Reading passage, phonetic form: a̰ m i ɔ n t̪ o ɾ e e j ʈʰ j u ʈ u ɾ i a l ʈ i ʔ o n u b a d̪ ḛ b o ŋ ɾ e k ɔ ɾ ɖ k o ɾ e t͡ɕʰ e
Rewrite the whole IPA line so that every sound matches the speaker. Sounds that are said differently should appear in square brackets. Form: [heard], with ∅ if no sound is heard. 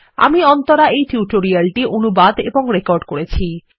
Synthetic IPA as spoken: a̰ m i ɔ n t̪ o ɾ [a] e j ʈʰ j u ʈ [o] ɾ i a l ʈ i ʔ o n u b a d̪ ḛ b o ŋ ɾ e k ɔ ɾ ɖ k o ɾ e t͡ɕʰ [i]